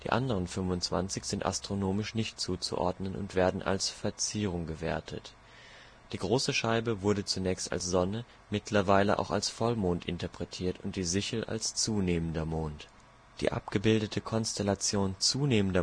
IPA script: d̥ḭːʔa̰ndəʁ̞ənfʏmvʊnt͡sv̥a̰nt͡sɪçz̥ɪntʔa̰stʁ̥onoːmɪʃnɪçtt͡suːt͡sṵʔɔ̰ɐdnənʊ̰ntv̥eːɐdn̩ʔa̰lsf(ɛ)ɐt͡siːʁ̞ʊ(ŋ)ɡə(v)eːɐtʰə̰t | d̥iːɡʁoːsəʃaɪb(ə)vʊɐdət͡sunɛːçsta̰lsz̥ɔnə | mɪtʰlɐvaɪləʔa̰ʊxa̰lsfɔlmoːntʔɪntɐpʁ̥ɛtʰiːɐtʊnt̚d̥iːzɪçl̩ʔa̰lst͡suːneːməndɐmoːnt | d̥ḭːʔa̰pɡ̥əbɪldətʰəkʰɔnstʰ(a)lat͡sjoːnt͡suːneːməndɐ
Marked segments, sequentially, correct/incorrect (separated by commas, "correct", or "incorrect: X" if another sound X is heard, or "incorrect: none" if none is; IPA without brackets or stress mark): correct, correct, correct, correct, incorrect: ɛ